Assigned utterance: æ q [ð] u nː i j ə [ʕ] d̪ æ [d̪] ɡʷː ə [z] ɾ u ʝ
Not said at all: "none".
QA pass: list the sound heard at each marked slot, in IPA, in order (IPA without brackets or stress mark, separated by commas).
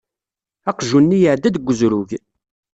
ʒ, ʕ, d̪, z